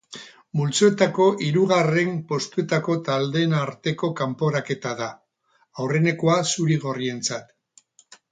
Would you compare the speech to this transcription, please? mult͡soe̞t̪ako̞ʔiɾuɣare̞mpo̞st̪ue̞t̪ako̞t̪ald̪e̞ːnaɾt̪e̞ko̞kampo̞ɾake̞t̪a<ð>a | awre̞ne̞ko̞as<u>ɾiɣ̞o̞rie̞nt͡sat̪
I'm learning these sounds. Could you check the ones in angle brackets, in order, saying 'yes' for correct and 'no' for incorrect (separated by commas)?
yes, yes